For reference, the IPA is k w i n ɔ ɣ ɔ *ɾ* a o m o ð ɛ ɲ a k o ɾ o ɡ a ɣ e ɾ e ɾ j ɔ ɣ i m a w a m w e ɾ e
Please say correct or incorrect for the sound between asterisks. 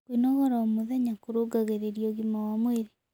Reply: correct